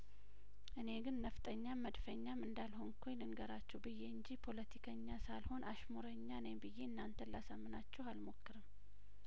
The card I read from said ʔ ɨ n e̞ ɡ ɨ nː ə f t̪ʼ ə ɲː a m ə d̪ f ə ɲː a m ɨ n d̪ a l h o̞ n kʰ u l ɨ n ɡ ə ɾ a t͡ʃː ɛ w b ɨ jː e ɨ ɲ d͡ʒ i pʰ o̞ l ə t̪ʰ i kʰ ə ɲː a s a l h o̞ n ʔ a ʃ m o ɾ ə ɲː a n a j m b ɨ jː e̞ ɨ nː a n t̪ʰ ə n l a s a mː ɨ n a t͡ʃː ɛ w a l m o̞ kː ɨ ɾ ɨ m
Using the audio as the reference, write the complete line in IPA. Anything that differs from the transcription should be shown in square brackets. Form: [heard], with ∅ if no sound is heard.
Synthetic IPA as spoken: ʔ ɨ n e̞ ɡ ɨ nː ə f t̪ʼ ə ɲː a m ə d̪ f ə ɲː a m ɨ n d̪ a l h o̞ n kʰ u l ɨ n ɡ ə ɾ a t͡ʃː ɛ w b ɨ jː e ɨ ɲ d͡ʒ i pʰ o̞ l ə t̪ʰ i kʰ ə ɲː a s a l h o̞ n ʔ a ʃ m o ɾ ə ɲː a n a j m b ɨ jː e̞ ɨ nː a n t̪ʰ ə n l a s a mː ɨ n a t͡ʃː ɛ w a l m o̞ kː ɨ ɾ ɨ m